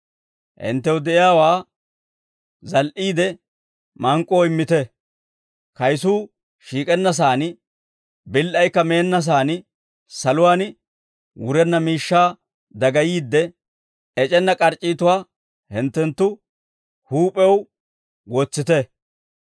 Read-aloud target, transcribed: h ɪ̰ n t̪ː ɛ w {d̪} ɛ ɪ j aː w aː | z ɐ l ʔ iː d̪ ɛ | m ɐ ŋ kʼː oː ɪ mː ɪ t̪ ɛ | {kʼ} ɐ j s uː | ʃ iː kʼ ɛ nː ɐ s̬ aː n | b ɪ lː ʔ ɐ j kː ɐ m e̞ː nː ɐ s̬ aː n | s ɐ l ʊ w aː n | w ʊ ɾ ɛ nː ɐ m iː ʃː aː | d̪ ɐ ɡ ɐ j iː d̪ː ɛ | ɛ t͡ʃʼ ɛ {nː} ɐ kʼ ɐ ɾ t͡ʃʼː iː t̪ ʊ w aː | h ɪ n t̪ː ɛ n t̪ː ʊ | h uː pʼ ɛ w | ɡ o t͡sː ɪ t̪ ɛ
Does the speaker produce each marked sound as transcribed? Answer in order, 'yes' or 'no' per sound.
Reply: yes, no, yes

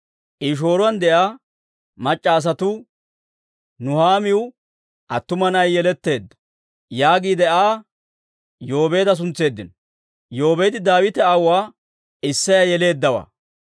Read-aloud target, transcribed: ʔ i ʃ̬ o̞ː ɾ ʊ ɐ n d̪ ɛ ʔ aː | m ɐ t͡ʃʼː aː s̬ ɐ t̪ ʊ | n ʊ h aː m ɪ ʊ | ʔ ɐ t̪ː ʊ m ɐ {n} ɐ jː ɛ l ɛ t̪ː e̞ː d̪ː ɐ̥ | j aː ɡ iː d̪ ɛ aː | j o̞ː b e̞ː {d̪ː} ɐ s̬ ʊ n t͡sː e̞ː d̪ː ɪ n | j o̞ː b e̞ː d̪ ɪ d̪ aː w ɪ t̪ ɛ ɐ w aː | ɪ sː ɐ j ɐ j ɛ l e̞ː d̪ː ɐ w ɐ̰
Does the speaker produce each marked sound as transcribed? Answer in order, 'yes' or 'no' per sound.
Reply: yes, no

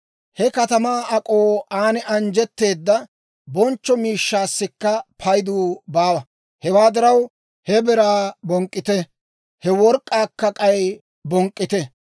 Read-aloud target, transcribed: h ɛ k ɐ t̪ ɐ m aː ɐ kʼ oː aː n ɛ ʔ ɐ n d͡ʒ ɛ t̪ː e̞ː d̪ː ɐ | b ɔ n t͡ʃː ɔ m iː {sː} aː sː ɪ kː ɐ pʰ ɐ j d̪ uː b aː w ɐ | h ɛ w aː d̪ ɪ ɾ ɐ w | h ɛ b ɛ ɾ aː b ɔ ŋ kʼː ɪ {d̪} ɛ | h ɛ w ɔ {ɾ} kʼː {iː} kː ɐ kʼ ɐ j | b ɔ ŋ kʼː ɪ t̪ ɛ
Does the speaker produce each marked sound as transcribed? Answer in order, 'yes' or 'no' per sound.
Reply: no, no, yes, no

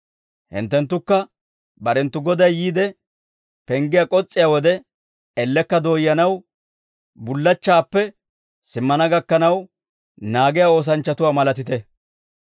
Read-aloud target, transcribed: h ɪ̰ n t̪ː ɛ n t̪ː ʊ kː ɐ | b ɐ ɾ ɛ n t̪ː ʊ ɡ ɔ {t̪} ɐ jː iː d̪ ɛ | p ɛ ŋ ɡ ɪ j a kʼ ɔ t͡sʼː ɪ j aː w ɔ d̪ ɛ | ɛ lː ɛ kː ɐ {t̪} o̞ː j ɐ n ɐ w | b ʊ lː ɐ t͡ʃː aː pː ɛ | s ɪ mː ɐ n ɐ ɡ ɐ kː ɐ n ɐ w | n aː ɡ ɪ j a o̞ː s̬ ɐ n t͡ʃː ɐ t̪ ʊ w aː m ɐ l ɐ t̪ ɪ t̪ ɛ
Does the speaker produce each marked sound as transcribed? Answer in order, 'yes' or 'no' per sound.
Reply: no, no

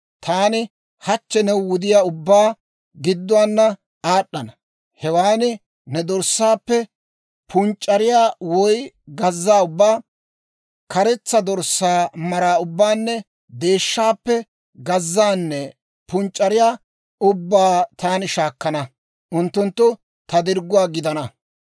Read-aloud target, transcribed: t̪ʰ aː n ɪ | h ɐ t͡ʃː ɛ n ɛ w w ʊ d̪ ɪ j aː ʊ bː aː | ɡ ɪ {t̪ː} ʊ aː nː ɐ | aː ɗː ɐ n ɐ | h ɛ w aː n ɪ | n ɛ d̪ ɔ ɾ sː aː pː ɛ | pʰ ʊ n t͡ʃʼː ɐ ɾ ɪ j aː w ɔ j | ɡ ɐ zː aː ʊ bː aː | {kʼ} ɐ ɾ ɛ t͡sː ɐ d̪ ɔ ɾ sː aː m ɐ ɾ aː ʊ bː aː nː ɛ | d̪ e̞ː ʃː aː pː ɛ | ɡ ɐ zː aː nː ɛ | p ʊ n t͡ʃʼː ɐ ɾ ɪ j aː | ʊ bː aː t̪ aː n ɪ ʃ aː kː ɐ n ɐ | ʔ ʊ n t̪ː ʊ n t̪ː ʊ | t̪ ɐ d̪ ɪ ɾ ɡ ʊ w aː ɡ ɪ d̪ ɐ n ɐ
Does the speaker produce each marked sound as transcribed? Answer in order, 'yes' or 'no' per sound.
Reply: no, no

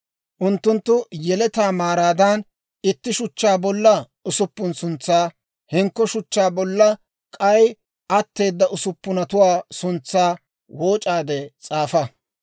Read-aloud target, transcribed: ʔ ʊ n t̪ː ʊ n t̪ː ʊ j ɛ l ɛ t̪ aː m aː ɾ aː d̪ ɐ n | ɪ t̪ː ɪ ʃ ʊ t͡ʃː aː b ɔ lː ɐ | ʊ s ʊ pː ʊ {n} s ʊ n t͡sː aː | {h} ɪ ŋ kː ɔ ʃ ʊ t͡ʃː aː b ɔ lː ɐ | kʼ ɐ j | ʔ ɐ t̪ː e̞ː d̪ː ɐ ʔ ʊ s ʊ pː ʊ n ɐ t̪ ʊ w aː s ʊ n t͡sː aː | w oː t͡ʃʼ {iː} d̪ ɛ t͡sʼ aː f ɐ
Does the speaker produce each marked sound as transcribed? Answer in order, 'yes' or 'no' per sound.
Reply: yes, yes, no

